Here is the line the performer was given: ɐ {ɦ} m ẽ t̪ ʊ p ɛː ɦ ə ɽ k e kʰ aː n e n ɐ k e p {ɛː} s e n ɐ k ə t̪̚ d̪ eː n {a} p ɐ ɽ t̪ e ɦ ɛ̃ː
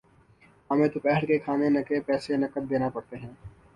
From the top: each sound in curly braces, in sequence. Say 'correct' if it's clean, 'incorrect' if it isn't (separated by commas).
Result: incorrect, correct, correct